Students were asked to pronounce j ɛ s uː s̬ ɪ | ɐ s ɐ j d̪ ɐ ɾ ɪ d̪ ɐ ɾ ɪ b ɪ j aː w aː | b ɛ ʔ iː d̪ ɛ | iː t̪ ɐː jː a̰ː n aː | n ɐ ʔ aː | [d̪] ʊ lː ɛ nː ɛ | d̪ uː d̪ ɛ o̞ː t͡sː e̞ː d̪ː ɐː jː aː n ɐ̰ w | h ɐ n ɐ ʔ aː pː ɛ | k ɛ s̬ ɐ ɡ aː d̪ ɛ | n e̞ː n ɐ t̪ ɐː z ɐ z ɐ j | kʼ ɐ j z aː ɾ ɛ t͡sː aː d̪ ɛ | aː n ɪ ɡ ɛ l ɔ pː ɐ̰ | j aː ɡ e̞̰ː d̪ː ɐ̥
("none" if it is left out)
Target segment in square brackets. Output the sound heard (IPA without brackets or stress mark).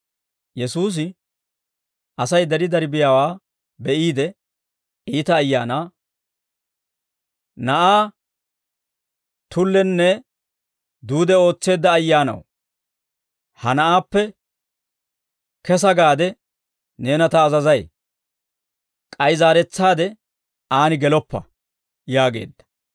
t̪